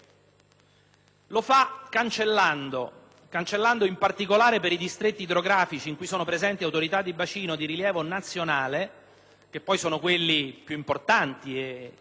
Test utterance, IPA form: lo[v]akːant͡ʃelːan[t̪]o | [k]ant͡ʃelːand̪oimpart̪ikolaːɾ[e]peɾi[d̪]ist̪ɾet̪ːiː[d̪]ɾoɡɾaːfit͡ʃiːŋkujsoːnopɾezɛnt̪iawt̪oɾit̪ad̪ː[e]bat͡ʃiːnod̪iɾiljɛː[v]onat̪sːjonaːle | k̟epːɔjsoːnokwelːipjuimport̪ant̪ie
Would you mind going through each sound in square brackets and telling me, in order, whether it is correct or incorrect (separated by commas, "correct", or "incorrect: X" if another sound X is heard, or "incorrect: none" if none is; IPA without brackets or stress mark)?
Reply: incorrect: f, incorrect: d̪, correct, correct, correct, correct, incorrect: i, correct